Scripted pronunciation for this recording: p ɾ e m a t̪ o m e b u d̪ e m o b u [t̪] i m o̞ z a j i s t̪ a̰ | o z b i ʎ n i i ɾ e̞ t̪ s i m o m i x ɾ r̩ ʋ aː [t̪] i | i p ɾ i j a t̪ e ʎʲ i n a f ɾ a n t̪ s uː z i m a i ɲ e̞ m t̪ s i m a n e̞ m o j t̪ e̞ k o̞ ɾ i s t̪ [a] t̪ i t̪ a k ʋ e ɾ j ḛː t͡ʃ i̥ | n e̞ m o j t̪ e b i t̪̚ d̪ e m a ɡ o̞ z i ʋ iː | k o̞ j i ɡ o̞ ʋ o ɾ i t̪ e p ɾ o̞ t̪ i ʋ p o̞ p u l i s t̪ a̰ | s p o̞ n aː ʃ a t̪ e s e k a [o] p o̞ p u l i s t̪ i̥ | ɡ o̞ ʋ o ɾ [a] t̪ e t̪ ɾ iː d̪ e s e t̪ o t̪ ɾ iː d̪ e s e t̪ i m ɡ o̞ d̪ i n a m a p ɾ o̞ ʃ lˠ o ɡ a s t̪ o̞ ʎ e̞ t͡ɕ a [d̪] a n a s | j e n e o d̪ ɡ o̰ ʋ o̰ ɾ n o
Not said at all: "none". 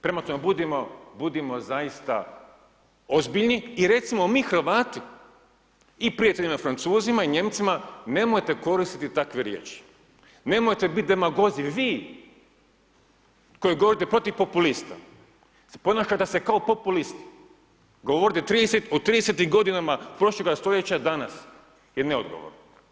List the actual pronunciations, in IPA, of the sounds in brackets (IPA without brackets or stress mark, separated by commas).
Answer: d̪, t̪, i, o, i, d̪